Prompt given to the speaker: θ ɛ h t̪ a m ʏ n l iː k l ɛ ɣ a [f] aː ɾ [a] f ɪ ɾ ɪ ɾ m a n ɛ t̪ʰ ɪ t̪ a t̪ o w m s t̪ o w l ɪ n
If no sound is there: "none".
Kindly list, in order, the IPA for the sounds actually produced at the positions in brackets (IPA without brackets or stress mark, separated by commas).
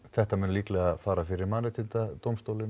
f, a